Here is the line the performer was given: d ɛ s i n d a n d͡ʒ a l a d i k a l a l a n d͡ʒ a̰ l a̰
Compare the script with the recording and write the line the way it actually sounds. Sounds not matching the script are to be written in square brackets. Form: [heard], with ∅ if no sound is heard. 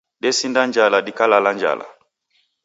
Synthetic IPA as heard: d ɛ s i n d a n d͡ʒ a l a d i k a l a l a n d͡ʒ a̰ l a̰